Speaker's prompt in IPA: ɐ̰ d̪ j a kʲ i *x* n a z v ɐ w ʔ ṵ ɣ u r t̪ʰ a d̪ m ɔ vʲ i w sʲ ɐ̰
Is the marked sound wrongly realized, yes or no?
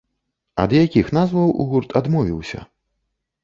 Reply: no